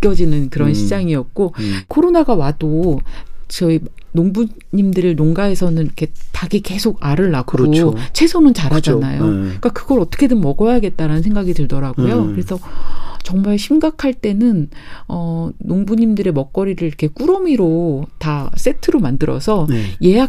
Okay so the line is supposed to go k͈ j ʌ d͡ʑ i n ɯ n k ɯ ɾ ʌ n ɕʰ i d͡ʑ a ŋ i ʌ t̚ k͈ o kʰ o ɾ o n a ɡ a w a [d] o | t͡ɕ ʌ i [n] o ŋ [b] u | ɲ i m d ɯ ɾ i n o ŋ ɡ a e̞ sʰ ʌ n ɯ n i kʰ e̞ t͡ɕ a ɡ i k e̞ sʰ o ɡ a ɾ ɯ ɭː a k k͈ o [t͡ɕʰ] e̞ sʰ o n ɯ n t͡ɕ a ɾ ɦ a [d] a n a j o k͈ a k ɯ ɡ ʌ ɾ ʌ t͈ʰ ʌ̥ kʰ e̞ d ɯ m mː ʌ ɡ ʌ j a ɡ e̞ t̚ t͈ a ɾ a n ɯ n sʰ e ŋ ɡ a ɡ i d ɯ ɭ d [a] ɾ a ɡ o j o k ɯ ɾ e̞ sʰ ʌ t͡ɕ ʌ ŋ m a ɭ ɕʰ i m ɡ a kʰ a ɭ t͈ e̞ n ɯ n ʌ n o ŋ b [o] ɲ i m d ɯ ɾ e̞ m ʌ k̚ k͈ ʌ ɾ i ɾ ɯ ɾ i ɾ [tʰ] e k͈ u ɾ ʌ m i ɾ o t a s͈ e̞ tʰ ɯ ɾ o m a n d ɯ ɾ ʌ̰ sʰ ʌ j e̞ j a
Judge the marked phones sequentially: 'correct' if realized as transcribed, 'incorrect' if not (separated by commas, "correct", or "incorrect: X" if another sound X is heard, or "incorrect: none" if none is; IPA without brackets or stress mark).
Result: correct, correct, correct, correct, incorrect: d͡ʑ, incorrect: ʌ, incorrect: u, incorrect: kʰ